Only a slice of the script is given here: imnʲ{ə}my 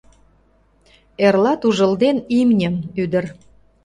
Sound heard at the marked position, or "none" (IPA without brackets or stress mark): ə